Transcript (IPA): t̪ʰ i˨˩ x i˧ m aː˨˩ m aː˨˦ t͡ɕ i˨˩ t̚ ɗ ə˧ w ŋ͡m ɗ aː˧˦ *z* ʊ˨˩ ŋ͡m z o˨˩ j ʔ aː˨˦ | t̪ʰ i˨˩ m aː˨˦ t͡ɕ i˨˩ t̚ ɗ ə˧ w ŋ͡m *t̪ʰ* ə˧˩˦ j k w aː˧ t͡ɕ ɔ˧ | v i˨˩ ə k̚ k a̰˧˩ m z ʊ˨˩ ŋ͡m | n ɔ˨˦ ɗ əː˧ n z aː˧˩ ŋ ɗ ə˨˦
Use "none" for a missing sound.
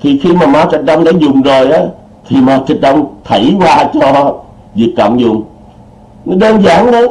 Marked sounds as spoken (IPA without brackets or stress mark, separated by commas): z, t̪ʰ